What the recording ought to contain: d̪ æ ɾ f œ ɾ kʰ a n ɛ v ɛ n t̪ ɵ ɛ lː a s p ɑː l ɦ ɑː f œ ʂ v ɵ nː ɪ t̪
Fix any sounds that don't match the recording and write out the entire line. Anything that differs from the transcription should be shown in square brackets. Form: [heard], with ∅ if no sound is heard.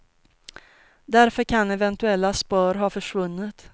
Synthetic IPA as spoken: d̪ æ ɾ f œ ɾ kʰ a n ɛ v ɛ n t̪ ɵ ɛ lː a s p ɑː [ɾ] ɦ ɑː f œ ʂ v ɵ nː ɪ t̪